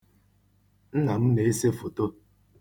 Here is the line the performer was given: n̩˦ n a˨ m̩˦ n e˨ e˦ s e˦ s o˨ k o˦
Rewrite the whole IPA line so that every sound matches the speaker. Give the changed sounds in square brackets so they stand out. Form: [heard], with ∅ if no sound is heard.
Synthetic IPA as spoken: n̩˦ n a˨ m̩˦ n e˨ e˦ s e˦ [f] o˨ [t] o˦